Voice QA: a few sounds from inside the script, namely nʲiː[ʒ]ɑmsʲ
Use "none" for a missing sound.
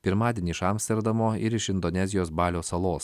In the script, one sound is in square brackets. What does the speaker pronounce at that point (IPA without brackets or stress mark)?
ʃ